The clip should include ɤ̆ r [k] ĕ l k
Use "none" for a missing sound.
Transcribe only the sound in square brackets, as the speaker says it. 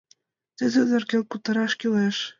k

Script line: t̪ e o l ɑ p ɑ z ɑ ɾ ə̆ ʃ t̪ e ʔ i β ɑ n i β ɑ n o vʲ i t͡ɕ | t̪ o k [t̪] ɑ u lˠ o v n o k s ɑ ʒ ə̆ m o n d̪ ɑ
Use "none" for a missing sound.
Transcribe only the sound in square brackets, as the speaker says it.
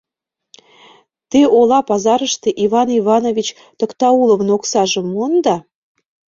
t̪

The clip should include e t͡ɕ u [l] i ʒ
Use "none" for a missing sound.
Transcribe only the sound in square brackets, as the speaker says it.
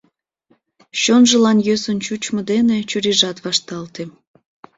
ɾ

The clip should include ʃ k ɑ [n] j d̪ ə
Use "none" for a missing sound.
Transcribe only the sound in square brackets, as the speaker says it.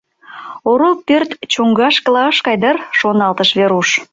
none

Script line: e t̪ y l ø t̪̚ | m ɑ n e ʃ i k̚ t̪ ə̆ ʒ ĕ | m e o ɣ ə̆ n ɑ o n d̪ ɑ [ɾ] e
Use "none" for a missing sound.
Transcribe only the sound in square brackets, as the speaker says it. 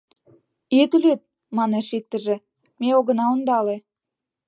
l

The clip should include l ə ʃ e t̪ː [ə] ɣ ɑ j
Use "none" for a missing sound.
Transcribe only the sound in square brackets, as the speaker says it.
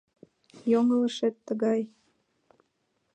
ə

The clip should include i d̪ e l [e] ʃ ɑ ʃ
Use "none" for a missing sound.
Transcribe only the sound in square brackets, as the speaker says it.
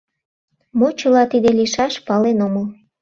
i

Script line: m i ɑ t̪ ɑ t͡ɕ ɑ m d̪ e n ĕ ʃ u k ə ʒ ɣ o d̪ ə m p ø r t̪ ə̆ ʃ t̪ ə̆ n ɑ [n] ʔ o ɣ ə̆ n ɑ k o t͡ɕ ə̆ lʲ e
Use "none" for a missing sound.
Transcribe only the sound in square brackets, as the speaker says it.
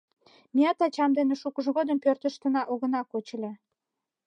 none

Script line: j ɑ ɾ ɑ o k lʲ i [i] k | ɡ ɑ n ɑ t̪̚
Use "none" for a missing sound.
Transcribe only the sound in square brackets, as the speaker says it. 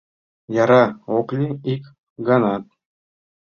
i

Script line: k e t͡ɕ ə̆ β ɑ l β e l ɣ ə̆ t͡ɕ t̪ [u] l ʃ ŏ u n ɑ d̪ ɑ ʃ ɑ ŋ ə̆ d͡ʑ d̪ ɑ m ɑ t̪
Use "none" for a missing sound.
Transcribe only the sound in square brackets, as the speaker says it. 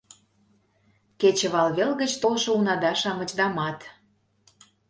o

